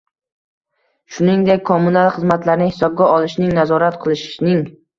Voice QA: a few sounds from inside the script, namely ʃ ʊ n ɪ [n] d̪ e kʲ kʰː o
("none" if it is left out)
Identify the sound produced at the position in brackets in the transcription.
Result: ŋ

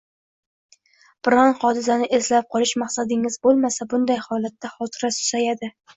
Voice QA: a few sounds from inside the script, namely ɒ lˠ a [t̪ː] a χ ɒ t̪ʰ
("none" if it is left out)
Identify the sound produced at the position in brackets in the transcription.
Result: t̪ː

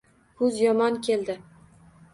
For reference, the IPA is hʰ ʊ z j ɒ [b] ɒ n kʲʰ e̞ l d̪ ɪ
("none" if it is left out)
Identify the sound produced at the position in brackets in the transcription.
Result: m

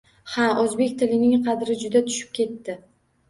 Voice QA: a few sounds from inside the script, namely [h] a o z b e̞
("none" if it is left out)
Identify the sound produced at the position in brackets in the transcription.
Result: h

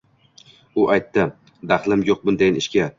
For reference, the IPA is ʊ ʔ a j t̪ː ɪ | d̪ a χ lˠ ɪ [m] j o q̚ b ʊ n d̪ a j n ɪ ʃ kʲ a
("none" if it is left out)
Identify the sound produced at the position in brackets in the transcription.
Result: m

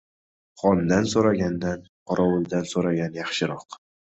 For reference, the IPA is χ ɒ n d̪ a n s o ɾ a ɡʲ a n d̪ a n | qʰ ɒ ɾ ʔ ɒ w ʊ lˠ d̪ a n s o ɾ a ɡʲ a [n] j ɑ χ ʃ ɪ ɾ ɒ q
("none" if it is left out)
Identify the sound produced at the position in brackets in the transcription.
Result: n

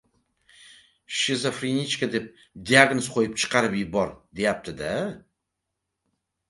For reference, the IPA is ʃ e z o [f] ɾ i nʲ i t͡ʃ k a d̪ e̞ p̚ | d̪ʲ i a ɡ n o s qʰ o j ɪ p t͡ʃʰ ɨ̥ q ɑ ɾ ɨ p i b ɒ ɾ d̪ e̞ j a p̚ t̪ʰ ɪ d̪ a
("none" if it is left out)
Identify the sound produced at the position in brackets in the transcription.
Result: f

